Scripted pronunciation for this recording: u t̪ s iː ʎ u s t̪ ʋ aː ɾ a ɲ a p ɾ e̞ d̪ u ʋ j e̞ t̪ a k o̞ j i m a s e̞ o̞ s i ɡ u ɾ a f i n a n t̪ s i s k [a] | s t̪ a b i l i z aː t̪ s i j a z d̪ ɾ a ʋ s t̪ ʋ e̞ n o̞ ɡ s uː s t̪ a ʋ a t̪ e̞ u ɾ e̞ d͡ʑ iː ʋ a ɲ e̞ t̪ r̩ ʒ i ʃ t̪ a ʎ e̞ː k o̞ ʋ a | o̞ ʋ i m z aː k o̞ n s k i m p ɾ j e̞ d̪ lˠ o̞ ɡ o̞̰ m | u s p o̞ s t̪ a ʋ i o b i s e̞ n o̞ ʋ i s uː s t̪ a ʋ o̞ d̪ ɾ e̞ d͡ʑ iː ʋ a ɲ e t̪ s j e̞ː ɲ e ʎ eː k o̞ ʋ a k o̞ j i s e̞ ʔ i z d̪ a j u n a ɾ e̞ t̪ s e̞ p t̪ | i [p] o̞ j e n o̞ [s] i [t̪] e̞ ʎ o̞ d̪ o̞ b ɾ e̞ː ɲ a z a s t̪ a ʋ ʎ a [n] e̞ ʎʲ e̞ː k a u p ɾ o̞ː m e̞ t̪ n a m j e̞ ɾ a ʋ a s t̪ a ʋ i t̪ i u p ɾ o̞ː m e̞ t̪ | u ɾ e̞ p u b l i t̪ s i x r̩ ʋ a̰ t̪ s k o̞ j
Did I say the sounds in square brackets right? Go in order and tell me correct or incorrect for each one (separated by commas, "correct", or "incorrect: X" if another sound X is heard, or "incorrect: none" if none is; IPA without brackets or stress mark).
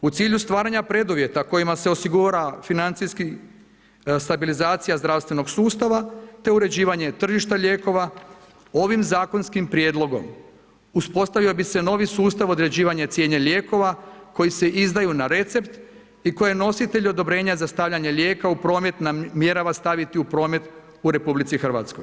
incorrect: i, incorrect: k, correct, correct, incorrect: ɲ